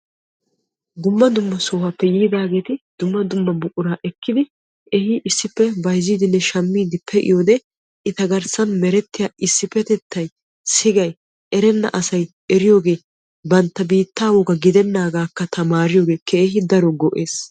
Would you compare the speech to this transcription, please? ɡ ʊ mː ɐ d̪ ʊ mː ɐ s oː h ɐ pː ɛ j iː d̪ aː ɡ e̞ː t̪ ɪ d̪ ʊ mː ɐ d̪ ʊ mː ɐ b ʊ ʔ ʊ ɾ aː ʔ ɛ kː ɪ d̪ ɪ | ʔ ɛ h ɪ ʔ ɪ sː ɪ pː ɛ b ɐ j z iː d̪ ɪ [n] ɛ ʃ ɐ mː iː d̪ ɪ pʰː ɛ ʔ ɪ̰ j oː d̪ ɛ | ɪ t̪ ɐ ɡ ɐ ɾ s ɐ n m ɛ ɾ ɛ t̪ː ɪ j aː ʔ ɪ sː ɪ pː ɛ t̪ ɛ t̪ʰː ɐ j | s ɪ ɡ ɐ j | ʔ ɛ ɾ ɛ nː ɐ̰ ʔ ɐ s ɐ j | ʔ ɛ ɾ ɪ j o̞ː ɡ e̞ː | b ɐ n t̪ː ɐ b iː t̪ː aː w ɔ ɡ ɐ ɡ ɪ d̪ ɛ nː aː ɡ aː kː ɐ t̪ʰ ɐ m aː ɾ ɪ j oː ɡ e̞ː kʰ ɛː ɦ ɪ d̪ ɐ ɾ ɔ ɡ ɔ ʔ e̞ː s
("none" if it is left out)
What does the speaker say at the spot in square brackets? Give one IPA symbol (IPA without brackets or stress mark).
nː